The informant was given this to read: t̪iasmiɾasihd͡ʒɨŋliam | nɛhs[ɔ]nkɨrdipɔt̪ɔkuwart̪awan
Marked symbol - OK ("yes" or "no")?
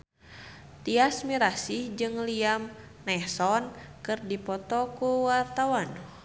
yes